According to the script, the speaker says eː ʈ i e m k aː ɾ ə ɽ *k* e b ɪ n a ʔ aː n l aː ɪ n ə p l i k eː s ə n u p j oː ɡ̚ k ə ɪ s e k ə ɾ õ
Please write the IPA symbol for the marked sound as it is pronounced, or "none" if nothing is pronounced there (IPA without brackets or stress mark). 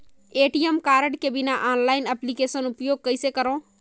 k